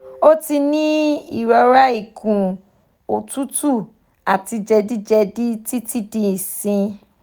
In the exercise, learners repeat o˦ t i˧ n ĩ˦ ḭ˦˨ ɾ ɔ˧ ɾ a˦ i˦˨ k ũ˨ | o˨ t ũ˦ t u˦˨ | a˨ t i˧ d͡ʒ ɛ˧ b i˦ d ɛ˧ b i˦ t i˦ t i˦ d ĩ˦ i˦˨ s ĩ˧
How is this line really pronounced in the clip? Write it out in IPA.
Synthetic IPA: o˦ t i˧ n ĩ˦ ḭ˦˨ ɾ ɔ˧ ɾ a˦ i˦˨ k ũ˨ | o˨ t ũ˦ t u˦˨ | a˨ t i˧ d͡ʒ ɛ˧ d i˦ d͡ʒ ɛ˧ d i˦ t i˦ t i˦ d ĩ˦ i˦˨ s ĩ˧